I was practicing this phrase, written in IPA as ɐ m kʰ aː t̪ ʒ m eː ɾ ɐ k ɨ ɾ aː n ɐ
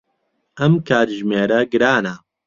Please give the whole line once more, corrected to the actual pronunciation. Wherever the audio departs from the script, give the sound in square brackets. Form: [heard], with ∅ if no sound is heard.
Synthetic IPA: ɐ m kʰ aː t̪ ʒ m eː ɾ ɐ [ɡ] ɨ ɾ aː n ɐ